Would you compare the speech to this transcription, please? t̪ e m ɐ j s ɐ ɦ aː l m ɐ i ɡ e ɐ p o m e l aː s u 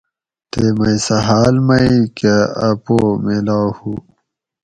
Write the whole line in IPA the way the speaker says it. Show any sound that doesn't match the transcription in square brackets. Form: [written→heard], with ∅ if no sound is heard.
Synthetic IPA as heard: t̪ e m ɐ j s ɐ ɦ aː l m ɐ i [ɡ→k] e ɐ p o m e l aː [s→h] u

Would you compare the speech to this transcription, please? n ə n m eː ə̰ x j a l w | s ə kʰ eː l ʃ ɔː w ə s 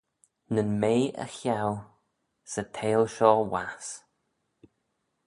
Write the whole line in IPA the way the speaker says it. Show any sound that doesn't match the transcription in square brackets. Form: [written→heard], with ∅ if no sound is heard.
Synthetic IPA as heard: n ə n m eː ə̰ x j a [l→∅] w | s ə [kʰ→tʰ] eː l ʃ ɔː w [ə→a] s

